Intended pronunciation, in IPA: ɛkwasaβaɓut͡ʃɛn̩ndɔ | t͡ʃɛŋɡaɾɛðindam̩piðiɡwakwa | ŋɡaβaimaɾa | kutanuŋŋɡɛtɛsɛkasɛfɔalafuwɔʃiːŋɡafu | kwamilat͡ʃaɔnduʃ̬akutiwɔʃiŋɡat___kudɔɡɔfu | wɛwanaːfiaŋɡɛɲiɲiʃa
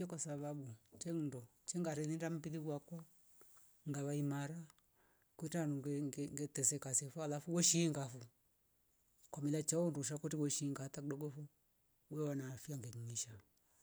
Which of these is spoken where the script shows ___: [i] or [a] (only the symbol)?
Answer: a